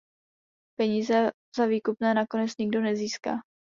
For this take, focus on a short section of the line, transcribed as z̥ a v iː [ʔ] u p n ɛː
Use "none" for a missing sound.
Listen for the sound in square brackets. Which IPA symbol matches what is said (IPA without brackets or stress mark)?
k